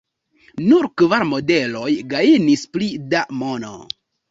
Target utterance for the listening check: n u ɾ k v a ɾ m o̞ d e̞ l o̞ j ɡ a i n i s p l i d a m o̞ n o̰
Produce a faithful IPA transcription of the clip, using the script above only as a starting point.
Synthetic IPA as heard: n u ɾ k v a ɾ m o̞ d e̞ l o̞ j ɡ a i n i s p l i d a m o̞ n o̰